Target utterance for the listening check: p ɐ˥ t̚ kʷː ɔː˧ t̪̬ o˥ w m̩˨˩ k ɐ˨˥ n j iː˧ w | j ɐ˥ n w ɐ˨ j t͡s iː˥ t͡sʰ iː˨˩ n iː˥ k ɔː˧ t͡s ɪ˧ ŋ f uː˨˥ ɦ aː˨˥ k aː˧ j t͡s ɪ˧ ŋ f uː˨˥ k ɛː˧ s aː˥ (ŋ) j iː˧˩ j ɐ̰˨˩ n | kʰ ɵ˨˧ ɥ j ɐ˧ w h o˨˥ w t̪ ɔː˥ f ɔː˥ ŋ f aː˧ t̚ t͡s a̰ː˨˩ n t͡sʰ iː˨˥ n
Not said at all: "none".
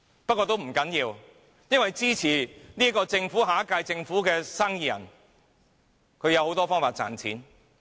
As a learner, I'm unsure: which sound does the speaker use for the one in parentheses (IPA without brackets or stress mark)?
ŋ